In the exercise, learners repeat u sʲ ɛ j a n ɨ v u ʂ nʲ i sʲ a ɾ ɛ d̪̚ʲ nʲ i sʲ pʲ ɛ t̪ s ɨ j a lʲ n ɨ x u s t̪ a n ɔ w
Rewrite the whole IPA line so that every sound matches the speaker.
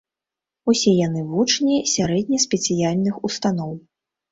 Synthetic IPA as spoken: u sʲ ɛ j a n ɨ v u t͡ʂ nʲ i sʲ a ɾ ɛ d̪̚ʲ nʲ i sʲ pʲ ɛ t̪ s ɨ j a lʲ n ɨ x u s t̪ a n ɔ w